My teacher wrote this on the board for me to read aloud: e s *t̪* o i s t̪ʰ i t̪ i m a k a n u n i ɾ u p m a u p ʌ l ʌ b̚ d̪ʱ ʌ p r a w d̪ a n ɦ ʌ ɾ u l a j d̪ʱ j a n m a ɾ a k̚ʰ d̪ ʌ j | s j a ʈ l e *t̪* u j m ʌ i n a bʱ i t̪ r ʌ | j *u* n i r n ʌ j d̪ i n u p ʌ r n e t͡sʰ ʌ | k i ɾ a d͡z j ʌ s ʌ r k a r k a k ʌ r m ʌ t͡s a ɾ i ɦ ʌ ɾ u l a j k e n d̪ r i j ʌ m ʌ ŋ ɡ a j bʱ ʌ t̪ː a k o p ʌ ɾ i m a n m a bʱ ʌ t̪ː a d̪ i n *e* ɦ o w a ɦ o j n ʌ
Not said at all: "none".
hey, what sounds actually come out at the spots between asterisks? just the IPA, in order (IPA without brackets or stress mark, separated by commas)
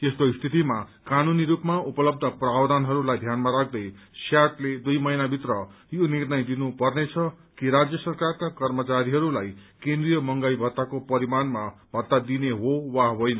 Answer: t̪, d̪, o, e